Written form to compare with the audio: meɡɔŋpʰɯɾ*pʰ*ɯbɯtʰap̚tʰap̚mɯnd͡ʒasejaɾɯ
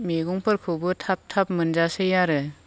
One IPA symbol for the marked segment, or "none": kʰ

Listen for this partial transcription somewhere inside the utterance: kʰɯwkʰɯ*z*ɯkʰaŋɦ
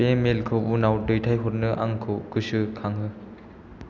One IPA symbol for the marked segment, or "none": s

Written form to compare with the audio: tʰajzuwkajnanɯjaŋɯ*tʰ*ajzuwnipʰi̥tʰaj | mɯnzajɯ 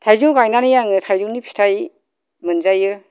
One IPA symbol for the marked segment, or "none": tʰ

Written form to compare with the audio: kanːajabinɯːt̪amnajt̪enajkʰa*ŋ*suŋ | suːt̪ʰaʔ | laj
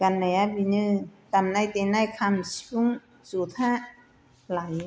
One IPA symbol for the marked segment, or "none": m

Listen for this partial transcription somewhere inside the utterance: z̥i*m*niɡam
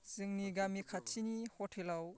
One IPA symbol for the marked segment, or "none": ŋ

